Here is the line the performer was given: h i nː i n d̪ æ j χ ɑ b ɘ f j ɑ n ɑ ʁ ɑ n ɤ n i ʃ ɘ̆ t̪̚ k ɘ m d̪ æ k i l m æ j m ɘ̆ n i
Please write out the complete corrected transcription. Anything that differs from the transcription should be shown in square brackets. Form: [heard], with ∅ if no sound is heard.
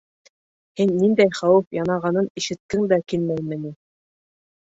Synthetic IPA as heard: h i nː i n d̪ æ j χ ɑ [w] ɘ f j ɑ n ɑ ʁ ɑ n ɤ n i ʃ ɘ̆ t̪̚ k ɘ [ŋ] d̪ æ k i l m æ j m ɘ̆ n i